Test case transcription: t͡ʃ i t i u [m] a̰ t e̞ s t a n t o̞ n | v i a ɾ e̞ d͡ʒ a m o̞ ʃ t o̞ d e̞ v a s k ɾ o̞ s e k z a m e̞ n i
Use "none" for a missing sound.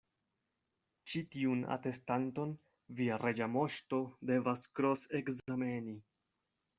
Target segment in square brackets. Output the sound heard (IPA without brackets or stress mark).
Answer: n